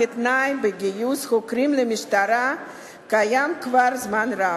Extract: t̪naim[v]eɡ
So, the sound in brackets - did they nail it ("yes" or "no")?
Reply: no